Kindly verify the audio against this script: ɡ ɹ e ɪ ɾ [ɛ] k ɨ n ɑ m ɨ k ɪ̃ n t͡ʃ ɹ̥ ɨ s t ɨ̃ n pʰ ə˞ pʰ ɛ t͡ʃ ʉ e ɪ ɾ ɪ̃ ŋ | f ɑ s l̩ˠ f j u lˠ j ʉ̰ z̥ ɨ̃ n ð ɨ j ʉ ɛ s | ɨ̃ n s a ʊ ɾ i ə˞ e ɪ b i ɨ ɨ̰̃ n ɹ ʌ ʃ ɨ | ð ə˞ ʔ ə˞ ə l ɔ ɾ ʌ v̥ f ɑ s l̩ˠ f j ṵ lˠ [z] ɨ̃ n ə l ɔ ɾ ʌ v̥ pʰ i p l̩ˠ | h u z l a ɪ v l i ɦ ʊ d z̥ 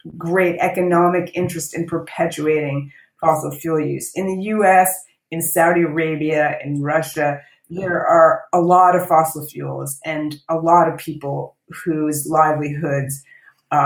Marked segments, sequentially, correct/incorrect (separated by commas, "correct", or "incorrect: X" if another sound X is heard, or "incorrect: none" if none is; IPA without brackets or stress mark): correct, correct